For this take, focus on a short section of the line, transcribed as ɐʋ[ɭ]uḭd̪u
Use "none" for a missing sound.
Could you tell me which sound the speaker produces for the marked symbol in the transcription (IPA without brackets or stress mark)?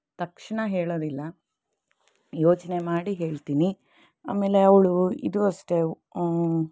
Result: ɭ